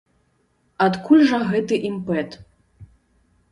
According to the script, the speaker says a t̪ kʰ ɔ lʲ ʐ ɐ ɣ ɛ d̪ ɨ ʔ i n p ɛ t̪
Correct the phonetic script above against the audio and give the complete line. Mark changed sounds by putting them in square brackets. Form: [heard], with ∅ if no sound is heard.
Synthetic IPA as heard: a t̪ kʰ [u] lʲ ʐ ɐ ɣ ɛ [t̪] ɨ ʔ i [m] p ɛ t̪